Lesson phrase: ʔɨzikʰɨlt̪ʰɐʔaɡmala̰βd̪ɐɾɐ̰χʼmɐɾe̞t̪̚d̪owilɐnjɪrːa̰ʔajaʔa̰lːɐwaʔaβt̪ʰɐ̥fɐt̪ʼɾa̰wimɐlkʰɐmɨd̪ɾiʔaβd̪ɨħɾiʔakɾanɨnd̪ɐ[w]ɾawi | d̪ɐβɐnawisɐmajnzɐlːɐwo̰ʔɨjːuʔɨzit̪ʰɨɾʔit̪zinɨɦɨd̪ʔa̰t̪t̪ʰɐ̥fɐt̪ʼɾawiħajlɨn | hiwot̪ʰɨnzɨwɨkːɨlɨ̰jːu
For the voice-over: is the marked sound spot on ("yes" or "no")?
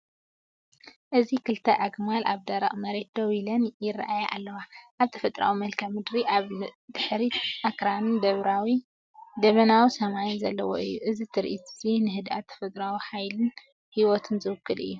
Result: no